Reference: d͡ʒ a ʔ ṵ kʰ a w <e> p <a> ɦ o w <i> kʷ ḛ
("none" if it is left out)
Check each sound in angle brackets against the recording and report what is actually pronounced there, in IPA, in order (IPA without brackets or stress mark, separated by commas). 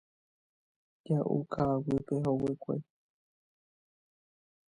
i, e, e